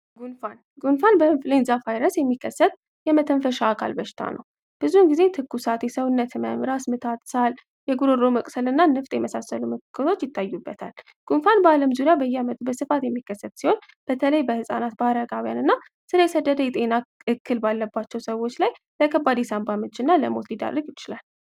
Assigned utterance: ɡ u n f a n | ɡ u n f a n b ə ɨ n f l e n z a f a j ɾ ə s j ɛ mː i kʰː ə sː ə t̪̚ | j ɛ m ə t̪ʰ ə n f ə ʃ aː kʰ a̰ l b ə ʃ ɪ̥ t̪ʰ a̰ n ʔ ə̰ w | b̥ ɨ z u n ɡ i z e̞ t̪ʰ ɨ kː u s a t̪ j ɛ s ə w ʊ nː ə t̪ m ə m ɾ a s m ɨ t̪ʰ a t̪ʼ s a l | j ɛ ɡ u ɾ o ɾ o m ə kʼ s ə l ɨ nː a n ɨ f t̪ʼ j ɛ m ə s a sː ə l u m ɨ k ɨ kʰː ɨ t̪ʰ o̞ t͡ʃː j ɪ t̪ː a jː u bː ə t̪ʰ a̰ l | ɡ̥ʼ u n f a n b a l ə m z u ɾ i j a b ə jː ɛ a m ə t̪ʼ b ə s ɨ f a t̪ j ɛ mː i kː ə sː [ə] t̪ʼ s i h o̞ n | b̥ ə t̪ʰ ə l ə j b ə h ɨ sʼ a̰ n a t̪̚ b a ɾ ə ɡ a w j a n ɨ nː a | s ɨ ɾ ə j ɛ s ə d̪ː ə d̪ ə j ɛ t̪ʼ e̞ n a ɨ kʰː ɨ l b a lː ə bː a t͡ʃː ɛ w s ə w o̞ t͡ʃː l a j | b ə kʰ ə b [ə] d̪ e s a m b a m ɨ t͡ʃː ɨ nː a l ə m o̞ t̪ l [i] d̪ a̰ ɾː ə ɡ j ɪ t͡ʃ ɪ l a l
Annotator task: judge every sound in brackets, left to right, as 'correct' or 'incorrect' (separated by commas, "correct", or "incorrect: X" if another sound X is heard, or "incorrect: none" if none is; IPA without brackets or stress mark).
correct, incorrect: a, correct